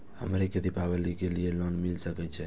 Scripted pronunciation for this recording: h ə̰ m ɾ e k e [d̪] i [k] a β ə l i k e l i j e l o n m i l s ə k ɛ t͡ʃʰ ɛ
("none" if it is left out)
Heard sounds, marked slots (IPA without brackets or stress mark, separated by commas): d̪, p